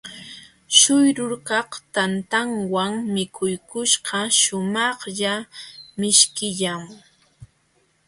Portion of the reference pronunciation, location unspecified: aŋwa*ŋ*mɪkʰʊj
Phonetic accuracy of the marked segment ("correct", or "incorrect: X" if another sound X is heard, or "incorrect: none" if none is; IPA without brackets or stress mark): correct